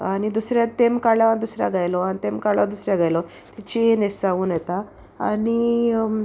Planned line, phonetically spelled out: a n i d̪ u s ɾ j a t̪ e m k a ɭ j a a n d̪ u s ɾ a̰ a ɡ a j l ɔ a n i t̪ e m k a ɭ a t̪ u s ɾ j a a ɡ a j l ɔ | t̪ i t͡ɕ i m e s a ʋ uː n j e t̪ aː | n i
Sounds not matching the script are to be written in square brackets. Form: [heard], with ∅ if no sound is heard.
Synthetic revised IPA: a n i d̪ u s ɾ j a t̪ e m k a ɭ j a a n d̪ u s ɾ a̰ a ɡ a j l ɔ a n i t̪ e m k a ɭ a [d̪] u s ɾ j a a ɡ a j l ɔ | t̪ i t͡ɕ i [n] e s a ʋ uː n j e t̪ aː | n i